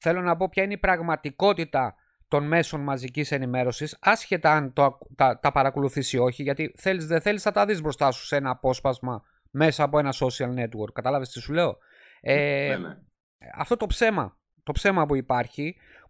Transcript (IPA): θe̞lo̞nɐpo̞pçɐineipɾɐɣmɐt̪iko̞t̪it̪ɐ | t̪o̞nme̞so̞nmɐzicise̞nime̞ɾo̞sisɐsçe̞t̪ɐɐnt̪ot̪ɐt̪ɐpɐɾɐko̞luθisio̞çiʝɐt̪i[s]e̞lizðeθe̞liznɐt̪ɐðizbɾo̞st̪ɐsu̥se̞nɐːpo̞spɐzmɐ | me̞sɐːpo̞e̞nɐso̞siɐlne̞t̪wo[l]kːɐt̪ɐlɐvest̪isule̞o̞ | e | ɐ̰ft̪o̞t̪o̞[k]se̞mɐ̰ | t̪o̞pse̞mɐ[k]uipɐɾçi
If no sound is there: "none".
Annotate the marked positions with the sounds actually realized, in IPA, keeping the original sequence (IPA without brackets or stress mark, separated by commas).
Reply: θ, ɾ, p, p